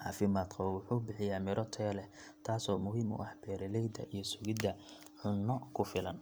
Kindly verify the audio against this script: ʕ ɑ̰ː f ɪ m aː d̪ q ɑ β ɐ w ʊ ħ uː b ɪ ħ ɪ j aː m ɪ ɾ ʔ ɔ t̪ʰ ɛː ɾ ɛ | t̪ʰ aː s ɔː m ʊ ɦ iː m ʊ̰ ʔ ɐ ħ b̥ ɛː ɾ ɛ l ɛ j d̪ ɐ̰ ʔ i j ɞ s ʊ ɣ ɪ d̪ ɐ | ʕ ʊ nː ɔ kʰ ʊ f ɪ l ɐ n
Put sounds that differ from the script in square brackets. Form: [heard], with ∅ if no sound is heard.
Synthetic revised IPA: ʕ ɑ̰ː f ɪ m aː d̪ q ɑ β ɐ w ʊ ħ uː b ɪ ħ ɪ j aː m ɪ ɾ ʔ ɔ t̪ʰ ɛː [l] ɛ | t̪ʰ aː s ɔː m ʊ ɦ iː m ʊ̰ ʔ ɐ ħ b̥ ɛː ɾ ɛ l ɛ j d̪ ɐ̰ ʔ i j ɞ s ʊ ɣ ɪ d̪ ɐ | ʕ ʊ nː ɔ kʰ ʊ f ɪ l ɐ n